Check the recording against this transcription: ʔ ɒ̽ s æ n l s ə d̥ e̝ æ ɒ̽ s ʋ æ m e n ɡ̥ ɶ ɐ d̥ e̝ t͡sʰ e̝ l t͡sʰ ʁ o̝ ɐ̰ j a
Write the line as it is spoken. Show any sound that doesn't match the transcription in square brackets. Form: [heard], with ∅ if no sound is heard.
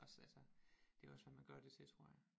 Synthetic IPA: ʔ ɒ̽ s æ [∅] l s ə d̥ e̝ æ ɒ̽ s ʋ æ m [æ] n ɡ̥ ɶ ɐ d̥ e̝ t͡sʰ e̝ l t͡sʰ ʁ o̝ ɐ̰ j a